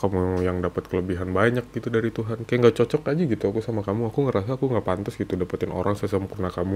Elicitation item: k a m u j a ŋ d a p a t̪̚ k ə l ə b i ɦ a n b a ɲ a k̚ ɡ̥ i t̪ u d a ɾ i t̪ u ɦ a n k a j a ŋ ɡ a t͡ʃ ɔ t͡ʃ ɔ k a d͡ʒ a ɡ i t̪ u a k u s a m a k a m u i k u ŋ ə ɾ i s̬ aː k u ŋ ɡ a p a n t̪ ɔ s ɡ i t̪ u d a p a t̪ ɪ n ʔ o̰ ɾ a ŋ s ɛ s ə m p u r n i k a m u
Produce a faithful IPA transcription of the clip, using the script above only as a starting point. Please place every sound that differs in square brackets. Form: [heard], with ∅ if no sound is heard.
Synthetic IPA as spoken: k a m u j a ŋ d a p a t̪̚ k ə l ə b i ɦ a n b a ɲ a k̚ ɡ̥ i t̪ u d a ɾ i t̪ u ɦ a n k a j a ŋ ɡ a t͡ʃ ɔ t͡ʃ ɔ k a d͡ʒ a ɡ i t̪ u a k u s a m a k a m u [a] k u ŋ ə ɾ [a] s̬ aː k u ŋ ɡ a p a n t̪ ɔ s ɡ i t̪ u d a p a t̪ ɪ n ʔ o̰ ɾ a ŋ s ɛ s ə m p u r n [a] k a m u